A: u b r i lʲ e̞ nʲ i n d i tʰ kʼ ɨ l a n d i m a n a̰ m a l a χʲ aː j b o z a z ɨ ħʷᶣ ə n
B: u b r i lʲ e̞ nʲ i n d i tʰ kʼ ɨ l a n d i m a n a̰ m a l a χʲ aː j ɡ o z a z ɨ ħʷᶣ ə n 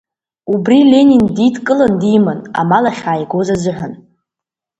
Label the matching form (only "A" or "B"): B